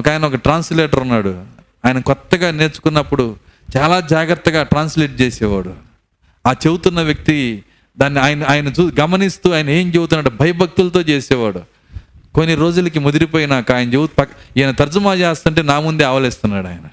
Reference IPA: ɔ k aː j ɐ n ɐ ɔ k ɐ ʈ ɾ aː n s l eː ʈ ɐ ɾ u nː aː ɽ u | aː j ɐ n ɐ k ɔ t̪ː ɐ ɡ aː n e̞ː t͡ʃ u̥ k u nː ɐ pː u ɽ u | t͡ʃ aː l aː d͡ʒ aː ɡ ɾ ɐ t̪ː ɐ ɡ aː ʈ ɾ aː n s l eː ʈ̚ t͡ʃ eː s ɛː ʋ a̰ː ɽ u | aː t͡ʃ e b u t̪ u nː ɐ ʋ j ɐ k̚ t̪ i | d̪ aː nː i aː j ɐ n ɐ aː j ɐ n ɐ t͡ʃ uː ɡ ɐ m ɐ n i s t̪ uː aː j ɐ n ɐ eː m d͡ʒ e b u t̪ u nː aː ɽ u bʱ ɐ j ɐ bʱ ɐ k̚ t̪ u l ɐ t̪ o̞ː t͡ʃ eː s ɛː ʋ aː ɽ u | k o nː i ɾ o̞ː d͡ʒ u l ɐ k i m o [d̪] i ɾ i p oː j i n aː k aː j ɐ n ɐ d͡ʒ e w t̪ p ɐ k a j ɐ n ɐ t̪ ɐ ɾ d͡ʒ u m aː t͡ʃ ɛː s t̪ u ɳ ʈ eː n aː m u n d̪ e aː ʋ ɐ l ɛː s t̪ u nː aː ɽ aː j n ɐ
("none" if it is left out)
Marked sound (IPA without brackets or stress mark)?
d̪